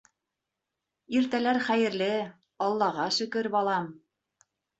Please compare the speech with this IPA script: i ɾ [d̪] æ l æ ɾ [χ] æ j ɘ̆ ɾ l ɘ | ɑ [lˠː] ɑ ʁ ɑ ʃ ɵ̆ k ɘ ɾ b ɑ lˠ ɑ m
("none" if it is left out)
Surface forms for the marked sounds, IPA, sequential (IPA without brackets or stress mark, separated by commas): t̪, χ, lˠː